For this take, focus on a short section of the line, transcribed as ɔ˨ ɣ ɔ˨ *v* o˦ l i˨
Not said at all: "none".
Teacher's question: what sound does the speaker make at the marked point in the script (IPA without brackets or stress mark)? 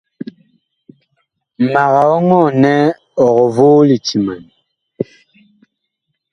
v